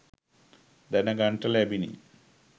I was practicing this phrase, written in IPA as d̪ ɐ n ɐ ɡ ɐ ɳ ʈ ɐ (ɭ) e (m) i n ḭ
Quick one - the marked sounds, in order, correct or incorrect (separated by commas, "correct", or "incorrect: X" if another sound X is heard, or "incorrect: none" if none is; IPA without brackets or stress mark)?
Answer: incorrect: l, incorrect: b